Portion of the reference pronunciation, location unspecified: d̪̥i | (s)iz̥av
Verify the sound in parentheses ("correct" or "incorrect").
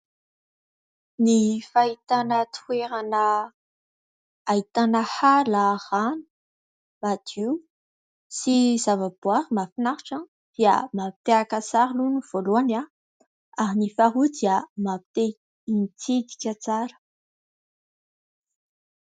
correct